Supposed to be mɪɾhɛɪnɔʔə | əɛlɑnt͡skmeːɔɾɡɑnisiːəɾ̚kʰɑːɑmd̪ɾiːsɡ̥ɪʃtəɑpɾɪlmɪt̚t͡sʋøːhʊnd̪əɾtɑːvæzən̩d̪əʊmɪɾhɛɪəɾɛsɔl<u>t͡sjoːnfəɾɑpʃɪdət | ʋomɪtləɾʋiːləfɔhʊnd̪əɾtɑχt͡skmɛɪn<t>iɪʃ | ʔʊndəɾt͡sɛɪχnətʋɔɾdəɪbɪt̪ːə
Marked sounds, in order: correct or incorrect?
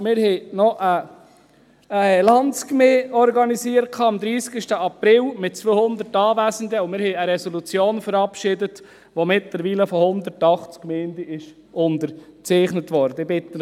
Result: correct, incorrect: d

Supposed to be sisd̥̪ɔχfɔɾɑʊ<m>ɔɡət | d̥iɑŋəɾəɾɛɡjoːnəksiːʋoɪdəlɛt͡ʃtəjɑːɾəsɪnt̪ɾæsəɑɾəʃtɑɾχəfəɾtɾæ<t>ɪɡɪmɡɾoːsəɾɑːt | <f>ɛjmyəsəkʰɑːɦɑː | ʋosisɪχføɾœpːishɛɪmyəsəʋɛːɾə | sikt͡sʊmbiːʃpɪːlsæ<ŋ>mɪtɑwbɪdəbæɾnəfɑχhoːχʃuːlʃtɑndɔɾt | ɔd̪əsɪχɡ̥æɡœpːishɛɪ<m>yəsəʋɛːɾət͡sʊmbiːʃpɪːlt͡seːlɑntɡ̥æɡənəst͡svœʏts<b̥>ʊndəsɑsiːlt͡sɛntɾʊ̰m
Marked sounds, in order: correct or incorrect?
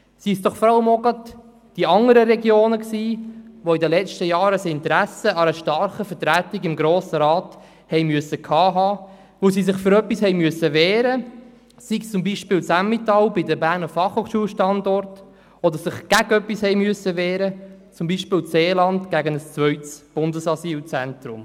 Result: correct, correct, incorrect: h, incorrect: m, correct, correct

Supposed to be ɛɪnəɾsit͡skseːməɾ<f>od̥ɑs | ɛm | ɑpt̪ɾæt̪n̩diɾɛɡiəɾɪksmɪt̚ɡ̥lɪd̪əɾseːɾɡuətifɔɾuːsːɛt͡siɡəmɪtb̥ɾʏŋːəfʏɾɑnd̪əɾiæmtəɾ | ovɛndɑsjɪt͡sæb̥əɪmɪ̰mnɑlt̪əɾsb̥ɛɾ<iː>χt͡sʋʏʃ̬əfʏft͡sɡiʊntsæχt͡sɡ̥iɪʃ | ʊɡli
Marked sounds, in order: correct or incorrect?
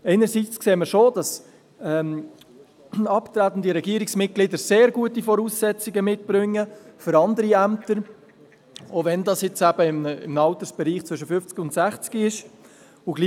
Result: incorrect: ʃ, correct

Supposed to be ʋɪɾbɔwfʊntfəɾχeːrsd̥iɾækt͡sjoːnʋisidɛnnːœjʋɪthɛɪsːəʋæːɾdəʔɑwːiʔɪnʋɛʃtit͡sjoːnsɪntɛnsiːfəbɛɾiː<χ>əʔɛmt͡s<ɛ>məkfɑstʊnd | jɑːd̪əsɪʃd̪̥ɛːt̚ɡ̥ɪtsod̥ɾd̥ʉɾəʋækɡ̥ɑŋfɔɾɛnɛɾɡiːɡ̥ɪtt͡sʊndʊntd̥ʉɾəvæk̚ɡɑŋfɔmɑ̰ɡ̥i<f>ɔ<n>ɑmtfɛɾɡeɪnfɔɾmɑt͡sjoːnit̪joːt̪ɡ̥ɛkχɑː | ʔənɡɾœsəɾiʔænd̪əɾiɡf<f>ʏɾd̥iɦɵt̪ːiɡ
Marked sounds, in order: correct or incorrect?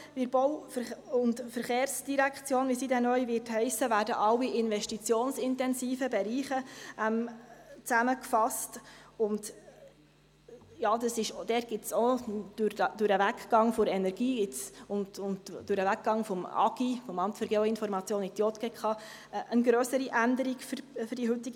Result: correct, incorrect: æ, correct, incorrect: m, correct

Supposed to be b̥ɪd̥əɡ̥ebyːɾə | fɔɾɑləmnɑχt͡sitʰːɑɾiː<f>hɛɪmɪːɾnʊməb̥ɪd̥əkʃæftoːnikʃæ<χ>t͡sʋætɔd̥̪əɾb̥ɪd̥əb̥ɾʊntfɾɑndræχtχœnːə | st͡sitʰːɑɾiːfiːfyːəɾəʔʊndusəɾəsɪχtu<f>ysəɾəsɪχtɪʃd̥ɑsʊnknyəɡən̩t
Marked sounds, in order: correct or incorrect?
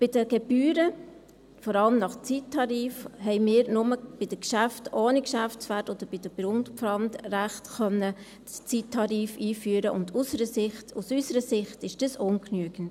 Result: correct, incorrect: f, incorrect: s

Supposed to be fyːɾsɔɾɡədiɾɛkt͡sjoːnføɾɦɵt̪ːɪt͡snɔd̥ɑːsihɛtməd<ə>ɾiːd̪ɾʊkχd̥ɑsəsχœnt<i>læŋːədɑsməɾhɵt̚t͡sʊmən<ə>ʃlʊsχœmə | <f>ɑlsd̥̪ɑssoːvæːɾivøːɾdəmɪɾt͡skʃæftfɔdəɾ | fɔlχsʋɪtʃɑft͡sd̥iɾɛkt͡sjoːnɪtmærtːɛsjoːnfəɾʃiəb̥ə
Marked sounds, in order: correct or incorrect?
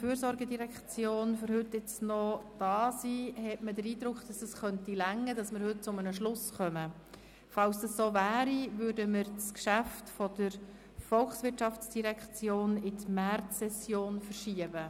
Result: correct, correct, correct, correct

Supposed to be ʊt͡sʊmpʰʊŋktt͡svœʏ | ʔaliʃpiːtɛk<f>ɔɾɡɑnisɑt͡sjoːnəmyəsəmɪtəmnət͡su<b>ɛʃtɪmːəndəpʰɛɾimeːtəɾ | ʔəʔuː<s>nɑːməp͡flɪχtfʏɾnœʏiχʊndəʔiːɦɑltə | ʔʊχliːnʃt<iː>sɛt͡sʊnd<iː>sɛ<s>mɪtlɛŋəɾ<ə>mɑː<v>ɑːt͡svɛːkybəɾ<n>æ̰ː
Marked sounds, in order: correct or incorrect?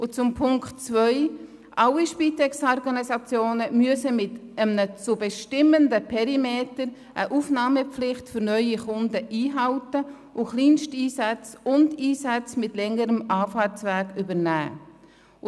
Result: incorrect: s, correct, incorrect: f, correct, correct, incorrect: t͡s, correct, incorrect: f, correct

